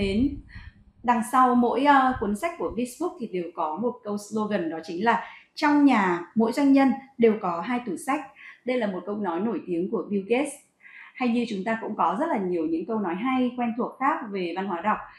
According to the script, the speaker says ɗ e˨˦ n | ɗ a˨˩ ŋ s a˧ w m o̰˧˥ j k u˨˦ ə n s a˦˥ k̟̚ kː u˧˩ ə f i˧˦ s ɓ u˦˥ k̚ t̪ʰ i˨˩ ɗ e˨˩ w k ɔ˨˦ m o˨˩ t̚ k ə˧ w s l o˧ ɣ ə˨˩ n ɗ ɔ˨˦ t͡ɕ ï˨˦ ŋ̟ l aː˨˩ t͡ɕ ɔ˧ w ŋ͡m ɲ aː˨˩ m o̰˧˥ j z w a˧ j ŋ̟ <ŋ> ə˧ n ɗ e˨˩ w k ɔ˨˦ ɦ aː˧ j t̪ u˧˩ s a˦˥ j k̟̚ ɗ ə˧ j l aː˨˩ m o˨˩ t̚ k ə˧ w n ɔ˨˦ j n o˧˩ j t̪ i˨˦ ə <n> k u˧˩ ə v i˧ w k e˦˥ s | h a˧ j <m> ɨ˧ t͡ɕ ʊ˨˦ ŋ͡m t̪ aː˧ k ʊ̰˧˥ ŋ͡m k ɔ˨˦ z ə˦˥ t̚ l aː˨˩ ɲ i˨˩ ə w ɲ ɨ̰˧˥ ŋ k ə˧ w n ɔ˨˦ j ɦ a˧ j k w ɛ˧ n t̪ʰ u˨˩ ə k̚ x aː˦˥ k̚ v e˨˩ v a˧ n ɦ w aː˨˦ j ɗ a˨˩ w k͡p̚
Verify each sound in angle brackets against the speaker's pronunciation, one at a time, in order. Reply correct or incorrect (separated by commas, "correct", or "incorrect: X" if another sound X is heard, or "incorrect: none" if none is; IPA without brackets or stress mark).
incorrect: ɲ, incorrect: ŋ, incorrect: ɲ